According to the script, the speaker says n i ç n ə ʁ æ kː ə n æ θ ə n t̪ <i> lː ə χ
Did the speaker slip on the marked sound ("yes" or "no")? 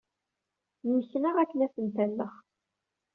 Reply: yes